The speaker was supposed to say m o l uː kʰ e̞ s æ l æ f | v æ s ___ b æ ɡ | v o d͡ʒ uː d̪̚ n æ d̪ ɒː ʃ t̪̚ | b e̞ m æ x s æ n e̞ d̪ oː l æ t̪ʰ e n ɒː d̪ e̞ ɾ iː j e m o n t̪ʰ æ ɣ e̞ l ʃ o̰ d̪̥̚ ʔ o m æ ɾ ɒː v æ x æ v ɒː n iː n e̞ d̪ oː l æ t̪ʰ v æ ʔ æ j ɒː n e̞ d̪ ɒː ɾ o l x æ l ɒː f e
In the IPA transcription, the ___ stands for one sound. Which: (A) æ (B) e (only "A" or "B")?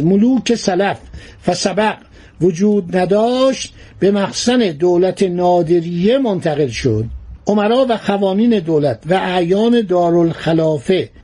A